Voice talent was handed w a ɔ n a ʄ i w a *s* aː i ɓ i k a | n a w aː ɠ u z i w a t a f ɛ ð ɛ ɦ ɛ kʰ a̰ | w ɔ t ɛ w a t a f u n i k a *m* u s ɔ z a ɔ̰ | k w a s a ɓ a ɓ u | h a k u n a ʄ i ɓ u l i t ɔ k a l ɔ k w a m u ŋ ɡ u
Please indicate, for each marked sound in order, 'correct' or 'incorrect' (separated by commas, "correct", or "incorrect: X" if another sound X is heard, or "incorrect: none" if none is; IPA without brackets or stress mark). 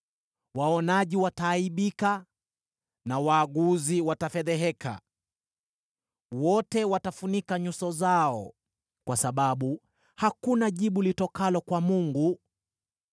incorrect: t, incorrect: ɲ